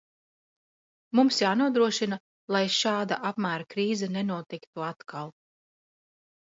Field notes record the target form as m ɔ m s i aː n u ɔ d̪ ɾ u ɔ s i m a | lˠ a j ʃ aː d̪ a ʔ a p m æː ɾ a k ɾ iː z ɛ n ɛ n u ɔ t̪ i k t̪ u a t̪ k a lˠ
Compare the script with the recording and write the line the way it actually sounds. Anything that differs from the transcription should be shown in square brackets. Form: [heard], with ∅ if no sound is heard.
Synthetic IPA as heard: m [u] m s [j] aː n u ɔ d̪ ɾ u ɔ [ʃ] i [n] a | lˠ a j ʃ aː d̪ a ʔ a p m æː ɾ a k ɾ iː z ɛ n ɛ n u ɔ t̪ i k t̪ u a t̪ k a lˠ